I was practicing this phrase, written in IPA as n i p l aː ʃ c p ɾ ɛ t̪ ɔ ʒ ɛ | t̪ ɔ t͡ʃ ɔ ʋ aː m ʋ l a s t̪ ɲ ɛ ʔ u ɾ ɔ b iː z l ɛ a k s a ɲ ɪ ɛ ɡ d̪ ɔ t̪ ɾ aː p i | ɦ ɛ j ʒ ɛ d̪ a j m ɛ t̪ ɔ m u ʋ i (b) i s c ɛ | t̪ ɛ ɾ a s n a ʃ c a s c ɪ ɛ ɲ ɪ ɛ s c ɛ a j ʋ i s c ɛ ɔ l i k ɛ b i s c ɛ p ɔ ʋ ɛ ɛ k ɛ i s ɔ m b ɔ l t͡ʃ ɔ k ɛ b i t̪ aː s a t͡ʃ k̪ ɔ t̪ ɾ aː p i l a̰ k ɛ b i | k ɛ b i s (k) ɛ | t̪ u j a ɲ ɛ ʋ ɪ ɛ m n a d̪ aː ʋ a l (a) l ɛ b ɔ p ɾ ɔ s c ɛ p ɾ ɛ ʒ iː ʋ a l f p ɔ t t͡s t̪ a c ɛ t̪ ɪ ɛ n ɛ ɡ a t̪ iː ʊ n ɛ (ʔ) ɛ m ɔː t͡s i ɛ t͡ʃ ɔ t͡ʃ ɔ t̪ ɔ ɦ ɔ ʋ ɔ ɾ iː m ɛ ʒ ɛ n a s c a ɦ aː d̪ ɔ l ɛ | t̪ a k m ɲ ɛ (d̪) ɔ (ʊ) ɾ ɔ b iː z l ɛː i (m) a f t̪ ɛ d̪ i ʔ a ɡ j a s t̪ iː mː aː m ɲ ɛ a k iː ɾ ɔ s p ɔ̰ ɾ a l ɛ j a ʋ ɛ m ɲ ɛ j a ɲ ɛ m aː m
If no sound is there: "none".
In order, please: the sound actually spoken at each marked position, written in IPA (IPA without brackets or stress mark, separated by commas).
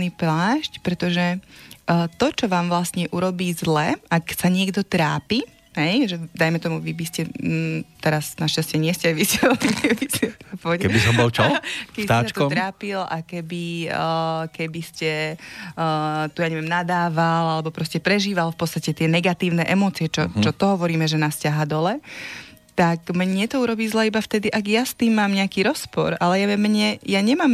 b, c, a, ʔ, t̪, u, b